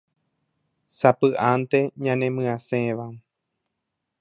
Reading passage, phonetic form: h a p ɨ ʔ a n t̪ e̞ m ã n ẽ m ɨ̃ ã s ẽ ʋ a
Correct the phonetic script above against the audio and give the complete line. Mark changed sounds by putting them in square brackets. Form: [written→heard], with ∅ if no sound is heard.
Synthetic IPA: [h→s] a p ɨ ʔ a n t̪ e̞ [m→ɲ] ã n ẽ m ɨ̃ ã s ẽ ʋ a